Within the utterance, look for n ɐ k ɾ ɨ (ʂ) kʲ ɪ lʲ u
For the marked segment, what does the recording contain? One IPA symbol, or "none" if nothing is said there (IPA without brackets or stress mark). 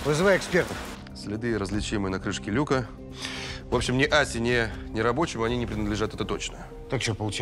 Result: ʂ